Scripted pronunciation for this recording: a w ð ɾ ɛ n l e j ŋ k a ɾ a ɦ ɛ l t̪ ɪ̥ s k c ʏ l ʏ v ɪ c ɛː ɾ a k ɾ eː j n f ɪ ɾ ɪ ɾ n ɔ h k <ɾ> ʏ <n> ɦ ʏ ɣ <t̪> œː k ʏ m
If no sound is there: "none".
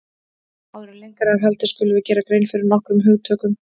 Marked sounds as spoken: ɾ, m, t̪ʰ

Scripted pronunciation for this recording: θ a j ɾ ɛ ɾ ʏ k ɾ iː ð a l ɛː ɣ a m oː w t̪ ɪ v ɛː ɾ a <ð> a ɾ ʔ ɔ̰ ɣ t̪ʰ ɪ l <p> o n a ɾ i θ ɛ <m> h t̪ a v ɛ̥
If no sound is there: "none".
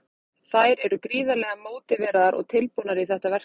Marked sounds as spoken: ð, p, none

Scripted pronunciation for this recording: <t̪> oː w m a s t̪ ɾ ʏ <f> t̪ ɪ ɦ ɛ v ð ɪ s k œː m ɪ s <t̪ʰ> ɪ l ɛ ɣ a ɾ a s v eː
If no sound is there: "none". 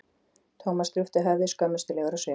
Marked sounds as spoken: t̪ʰ, f, t̪

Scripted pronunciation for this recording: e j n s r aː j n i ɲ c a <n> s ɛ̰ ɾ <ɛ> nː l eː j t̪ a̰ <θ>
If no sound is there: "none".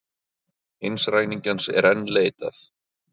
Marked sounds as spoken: n, ɛ, θ

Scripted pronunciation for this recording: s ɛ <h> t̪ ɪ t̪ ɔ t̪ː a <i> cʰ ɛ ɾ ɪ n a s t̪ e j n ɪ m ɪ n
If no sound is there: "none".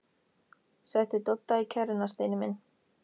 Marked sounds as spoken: h, i

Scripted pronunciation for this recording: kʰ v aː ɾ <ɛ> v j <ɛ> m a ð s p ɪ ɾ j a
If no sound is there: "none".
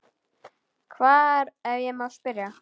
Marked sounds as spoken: ɛ, ɛ

